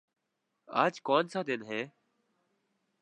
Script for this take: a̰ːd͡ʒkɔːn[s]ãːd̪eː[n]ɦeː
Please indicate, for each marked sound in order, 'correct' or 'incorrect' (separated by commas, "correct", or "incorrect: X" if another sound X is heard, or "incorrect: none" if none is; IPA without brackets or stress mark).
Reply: correct, correct